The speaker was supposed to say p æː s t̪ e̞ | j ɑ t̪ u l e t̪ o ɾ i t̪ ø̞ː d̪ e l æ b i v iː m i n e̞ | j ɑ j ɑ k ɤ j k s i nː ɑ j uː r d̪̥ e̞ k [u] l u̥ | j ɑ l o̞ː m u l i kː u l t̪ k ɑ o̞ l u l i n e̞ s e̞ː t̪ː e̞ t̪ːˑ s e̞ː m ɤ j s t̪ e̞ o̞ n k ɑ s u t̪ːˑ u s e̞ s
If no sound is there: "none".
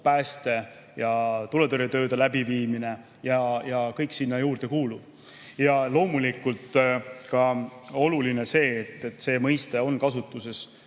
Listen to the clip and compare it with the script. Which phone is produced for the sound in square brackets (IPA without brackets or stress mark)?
uː